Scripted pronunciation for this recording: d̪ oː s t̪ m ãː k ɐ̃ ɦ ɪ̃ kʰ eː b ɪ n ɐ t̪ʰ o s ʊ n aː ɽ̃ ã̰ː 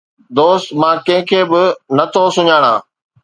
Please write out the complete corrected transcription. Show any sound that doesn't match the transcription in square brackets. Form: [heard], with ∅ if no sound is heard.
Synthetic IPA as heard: d̪ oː s t̪ m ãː k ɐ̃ ɦ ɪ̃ kʰ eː b ɪ n ɐ t̪ʰ o s ʊ [ɲ] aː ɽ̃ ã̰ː